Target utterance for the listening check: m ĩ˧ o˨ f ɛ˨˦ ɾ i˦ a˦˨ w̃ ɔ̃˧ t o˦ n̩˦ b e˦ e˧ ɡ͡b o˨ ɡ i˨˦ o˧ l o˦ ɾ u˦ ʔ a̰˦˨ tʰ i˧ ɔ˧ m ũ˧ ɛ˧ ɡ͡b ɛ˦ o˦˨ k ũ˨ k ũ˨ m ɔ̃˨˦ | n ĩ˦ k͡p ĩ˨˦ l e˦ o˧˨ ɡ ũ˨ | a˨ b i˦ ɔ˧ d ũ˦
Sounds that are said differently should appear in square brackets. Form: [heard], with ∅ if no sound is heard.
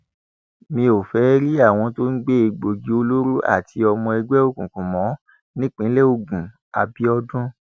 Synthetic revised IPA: m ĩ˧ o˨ f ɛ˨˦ ɾ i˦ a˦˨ w̃ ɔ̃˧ t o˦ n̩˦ [ɡ͡b] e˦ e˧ ɡ͡b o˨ ɡ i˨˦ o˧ l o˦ ɾ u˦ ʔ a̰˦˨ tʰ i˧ ɔ˧ m [ɔ̃˧] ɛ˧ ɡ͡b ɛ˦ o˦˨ k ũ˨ k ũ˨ m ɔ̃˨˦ | n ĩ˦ k͡p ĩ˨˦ l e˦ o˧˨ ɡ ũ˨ | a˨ b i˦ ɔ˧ d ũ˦

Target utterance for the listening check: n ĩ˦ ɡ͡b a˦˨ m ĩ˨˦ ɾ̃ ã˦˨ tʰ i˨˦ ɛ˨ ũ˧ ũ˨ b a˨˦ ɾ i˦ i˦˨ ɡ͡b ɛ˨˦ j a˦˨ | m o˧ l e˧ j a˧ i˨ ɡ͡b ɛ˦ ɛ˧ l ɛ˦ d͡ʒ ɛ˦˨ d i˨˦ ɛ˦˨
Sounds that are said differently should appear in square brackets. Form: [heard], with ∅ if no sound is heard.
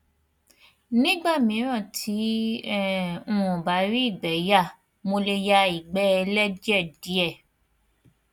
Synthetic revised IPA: n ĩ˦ ɡ͡b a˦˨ m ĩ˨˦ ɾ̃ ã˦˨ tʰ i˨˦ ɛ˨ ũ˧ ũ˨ b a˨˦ ɾ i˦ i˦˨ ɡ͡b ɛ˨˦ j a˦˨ | m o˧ l e˧ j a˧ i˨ ɡ͡b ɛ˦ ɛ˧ l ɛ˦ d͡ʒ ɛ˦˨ d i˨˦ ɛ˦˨

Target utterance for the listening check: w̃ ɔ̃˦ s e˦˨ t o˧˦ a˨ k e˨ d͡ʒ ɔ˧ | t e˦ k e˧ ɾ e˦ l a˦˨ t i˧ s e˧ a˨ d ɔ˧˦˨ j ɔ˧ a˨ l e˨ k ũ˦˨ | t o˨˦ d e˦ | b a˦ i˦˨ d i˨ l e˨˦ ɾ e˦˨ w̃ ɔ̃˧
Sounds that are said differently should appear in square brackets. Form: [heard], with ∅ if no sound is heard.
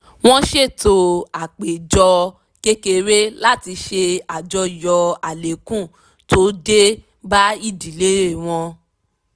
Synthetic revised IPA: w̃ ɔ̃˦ [ʃ] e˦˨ t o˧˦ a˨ [k͡p] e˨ d͡ʒ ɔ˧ | [k] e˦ k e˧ ɾ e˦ l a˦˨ t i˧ [ʃ] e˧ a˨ [d͡ʒ] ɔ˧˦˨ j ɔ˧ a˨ l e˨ k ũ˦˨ | t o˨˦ d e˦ | b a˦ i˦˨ d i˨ l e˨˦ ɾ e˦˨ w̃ ɔ̃˧

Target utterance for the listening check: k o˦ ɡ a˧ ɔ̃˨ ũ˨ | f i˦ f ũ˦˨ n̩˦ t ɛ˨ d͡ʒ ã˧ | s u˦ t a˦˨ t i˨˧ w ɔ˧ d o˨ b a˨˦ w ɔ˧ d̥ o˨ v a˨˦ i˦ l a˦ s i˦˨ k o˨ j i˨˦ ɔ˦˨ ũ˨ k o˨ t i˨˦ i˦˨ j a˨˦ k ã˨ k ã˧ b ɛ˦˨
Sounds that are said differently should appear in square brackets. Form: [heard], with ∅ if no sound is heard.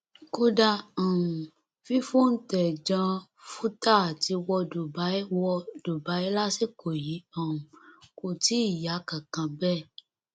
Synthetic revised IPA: k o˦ [d] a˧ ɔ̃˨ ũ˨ | f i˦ f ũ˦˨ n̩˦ t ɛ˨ d͡ʒ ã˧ | [f] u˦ t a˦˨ t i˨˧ w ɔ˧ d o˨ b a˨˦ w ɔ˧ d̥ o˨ [b] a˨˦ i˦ l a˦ s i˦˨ k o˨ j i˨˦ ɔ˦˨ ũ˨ k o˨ t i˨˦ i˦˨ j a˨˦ k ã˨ k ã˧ b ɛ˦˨

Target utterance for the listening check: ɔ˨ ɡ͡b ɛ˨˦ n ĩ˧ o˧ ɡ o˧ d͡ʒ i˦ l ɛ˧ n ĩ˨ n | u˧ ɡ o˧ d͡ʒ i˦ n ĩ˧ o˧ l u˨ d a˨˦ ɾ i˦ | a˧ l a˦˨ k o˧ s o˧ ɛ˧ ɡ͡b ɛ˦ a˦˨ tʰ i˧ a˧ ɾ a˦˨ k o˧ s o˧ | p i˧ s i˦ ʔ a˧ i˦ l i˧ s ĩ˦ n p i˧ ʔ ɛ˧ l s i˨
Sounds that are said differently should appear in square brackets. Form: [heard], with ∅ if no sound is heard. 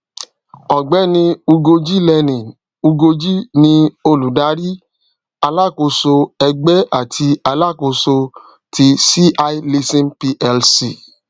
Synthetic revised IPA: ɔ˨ ɡ͡b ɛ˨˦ n ĩ˧ [u˧] ɡ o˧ d͡ʒ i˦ l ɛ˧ n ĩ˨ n | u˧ ɡ o˧ d͡ʒ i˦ n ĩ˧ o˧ l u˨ d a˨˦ ɾ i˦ | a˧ l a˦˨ k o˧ s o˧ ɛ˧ ɡ͡b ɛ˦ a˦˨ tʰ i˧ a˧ [l] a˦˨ k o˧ s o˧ | [t] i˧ s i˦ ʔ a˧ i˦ l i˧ s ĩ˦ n p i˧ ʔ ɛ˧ l s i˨

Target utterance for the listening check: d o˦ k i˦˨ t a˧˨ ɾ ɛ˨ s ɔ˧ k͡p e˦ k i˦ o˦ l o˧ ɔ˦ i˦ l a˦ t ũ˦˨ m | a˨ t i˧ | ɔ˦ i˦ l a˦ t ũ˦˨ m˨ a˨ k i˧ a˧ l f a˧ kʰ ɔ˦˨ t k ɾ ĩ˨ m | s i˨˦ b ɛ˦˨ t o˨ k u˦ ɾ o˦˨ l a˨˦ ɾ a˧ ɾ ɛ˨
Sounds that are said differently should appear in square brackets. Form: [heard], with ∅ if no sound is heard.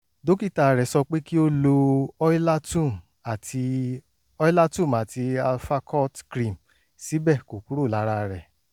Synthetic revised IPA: d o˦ k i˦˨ t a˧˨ ɾ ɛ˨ s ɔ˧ k͡p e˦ k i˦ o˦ l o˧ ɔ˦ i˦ l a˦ t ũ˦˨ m | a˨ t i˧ | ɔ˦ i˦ l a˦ t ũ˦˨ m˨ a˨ [t] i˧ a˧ l f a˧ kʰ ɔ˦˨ t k ɾ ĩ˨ m | s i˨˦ b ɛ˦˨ [k] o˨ k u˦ ɾ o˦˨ l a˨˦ ɾ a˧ ɾ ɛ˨

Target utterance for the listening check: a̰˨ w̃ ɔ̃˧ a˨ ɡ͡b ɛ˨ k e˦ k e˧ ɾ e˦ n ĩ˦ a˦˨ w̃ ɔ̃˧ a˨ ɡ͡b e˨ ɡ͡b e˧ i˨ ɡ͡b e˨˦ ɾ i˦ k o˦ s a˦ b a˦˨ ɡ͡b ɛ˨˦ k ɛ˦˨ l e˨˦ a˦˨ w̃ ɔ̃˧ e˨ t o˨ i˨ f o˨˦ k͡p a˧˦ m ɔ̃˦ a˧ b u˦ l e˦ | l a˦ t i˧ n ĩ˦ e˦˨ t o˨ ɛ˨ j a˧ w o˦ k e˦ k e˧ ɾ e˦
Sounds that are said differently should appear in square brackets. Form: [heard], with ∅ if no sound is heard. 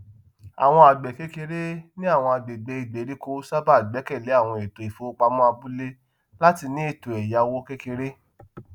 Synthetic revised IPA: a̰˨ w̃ ɔ̃˧ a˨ ɡ͡b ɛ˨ k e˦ k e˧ ɾ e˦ n ĩ˦ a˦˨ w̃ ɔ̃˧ a˨ ɡ͡b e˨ ɡ͡b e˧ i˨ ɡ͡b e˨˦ ɾ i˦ k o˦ s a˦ b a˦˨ ɡ͡b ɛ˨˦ k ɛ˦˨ l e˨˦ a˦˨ w̃ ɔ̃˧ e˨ t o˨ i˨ f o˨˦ k͡p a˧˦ m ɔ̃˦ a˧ b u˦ l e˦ | l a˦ t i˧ n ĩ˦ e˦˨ t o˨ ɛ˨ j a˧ w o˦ k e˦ k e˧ ɾ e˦

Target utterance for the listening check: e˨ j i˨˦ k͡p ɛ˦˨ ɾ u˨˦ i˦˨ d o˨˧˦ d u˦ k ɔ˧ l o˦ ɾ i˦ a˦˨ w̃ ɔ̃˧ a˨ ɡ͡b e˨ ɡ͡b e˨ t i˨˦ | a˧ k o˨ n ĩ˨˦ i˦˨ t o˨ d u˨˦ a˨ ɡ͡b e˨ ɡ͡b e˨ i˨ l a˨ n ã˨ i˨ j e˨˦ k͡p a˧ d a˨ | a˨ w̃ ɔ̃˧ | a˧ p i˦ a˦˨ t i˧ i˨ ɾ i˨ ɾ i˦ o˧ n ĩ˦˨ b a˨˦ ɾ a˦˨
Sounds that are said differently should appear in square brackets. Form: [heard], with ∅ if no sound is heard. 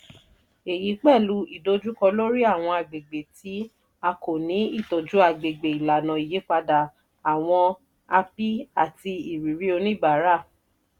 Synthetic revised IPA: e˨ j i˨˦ k͡p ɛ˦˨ [l] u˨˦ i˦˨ d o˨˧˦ [d͡ʒ] u˦ k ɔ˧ l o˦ ɾ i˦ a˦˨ w̃ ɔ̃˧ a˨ ɡ͡b e˨ ɡ͡b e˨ t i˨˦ | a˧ k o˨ n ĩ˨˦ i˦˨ t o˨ [d͡ʒ] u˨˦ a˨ ɡ͡b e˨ ɡ͡b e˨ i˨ l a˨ n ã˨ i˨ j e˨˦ k͡p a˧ d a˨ | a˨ w̃ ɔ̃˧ | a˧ p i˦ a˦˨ t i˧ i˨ ɾ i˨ ɾ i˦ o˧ n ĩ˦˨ b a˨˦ ɾ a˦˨

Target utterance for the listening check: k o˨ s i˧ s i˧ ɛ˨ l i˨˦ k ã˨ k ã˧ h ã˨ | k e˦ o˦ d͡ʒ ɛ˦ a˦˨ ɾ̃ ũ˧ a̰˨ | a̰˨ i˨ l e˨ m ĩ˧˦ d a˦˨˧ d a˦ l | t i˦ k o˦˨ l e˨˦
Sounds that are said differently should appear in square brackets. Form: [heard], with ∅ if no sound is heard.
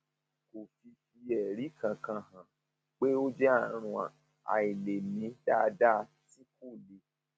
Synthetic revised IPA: k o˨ [f] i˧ [f] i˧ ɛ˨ [ɾ] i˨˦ k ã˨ k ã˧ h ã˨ | [k͡p] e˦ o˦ d͡ʒ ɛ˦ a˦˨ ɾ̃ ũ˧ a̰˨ | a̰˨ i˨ l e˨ m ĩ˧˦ d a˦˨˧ d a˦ [∅] | t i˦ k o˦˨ l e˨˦

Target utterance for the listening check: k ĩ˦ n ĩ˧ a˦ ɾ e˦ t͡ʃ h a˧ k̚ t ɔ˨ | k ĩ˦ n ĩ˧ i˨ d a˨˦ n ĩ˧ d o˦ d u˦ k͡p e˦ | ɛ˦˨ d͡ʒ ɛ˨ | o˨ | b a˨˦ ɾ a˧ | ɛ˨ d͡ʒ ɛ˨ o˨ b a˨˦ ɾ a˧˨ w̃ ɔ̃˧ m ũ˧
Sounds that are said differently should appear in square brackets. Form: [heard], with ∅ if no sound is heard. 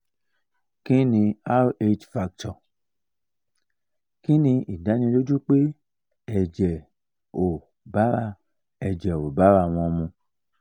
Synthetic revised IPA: k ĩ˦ n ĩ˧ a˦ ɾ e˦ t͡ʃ [f] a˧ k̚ t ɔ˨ | k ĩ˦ n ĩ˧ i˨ d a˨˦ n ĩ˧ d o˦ [d͡ʒ] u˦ k͡p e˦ | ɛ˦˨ d͡ʒ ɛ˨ | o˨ | b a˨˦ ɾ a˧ | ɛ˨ d͡ʒ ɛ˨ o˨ b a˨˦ ɾ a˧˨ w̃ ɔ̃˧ m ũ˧

